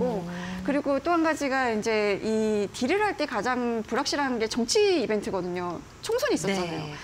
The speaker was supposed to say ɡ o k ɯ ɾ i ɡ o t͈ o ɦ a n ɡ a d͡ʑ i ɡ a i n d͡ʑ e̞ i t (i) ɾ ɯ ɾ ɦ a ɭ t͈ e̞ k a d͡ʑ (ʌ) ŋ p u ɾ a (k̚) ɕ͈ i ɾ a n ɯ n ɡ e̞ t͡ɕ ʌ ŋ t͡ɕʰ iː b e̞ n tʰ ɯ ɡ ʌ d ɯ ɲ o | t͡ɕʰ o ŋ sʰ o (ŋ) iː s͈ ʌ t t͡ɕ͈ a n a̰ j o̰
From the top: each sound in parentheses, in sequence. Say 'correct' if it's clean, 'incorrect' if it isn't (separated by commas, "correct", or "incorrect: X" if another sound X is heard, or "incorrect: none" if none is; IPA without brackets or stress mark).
correct, incorrect: a, correct, incorrect: ɲ